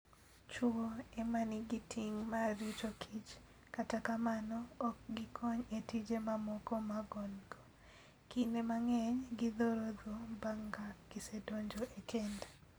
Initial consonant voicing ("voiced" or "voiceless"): voiceless